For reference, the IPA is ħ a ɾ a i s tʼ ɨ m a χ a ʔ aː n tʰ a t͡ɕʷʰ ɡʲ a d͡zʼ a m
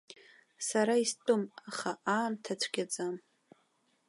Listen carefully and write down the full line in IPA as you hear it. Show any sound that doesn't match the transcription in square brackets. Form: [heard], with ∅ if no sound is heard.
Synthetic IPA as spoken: [s] a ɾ a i s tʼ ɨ m a χ a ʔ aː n tʰ a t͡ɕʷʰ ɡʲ a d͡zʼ a m